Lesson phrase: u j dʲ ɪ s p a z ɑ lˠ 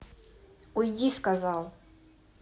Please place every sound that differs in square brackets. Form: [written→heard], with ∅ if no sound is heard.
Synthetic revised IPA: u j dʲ [ɪ→i] s [p→k] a z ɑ lˠ